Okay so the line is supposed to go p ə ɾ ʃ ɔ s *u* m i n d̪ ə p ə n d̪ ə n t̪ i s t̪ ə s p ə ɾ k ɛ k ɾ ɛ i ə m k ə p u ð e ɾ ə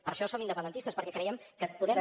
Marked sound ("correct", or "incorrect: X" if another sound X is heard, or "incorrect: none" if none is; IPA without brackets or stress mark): incorrect: o